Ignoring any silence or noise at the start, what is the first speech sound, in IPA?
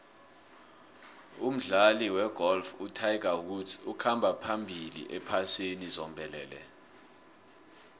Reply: u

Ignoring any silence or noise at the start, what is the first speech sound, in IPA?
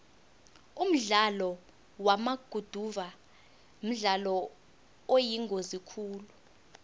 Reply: u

